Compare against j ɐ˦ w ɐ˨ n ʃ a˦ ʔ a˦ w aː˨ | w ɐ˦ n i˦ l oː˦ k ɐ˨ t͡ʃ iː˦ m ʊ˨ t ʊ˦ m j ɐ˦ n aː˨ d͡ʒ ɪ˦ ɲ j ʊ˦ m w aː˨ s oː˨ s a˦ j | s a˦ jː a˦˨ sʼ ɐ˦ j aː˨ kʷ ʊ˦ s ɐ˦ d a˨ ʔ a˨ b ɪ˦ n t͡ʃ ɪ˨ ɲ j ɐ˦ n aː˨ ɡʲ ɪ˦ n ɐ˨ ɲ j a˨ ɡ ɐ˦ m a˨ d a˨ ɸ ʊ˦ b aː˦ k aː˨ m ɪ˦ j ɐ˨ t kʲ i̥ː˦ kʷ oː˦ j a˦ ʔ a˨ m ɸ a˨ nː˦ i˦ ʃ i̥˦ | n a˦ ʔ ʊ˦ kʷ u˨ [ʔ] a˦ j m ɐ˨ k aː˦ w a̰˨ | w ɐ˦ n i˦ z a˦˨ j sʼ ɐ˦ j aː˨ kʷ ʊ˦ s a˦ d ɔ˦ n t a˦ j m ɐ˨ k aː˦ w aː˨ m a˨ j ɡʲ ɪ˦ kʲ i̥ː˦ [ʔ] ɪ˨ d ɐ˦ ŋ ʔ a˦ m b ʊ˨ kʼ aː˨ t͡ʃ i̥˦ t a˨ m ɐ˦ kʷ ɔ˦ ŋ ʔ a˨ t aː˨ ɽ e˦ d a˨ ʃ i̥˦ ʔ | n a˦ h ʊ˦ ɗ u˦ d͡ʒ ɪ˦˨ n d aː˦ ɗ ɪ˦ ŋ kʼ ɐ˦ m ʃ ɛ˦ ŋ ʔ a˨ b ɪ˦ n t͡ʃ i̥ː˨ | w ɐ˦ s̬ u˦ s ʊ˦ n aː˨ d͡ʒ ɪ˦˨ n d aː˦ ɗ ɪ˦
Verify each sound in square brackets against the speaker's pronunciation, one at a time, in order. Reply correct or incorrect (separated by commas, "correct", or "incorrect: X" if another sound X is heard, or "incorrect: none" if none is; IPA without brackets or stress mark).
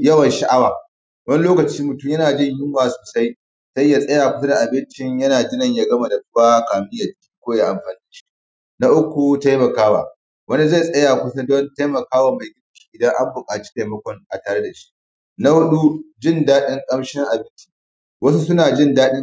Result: incorrect: t, correct